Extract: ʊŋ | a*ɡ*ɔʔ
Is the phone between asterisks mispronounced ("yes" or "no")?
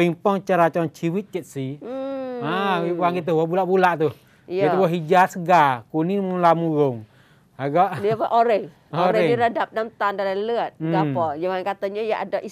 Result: no